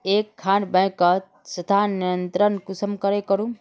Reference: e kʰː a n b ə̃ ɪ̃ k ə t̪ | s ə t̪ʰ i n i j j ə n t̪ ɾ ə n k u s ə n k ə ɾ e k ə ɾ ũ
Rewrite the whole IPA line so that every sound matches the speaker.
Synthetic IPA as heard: e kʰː a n b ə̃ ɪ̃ k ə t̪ | s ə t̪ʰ a n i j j ə n t̪ ɾ ə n k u s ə m k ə ɾ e k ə ɾ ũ